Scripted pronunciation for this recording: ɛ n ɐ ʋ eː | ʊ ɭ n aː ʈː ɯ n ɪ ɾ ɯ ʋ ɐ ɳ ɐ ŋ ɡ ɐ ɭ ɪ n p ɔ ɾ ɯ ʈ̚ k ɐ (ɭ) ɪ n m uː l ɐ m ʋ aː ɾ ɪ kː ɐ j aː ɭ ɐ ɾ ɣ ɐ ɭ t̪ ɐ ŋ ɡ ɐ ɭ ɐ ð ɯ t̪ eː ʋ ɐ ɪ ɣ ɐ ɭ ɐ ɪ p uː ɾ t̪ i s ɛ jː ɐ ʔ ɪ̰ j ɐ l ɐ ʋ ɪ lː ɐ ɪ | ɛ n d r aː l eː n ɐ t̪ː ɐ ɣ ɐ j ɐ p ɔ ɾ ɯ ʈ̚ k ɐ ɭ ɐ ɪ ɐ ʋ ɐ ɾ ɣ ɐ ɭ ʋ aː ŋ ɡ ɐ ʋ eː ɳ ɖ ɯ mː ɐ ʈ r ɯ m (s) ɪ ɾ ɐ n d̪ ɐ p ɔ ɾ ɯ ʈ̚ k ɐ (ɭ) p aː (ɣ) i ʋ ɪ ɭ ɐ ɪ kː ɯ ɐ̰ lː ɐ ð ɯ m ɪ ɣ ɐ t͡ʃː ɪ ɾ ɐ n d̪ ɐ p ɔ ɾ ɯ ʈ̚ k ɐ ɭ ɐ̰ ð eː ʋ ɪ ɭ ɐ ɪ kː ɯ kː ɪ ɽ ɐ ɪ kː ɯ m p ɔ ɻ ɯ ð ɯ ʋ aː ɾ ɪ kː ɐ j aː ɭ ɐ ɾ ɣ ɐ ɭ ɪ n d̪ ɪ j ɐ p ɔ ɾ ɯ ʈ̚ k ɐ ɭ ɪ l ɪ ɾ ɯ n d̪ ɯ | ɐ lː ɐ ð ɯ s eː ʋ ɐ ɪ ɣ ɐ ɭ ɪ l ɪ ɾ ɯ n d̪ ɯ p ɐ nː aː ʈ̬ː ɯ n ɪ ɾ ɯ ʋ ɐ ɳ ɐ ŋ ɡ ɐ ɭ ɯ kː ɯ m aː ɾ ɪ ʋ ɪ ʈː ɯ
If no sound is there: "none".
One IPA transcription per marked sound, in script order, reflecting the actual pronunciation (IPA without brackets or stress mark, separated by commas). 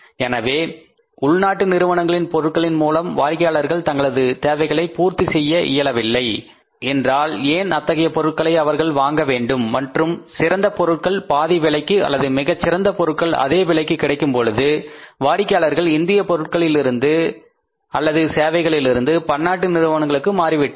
ɭ, s, ɭ, ð